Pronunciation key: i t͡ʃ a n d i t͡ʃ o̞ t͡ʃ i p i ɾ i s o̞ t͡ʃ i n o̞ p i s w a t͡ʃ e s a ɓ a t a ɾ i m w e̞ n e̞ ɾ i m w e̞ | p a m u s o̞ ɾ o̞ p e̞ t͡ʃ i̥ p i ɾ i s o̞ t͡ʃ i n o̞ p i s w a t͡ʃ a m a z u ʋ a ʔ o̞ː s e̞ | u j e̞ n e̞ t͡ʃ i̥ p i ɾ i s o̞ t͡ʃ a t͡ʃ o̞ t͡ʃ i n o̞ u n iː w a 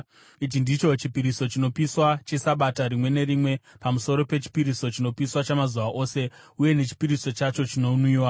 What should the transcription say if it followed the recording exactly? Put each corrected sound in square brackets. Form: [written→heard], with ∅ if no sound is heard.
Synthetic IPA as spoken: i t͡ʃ [a→i] n d i t͡ʃ o̞ t͡ʃ i p i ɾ i s o̞ t͡ʃ i n o̞ p i s w a t͡ʃ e s a ɓ a t a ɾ i m w e̞ n e̞ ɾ i m w e̞ | p a m u s o̞ ɾ o̞ p e̞ t͡ʃ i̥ p i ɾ i s o̞ t͡ʃ i n o̞ p i s w a t͡ʃ a m a z u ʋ a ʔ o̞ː s e̞ | u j e̞ n e̞ t͡ʃ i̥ p i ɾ i s o̞ t͡ʃ a t͡ʃ o̞ t͡ʃ i n o̞ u n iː w a